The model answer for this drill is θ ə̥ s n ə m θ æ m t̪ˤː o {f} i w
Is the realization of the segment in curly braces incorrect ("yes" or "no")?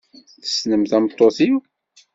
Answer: yes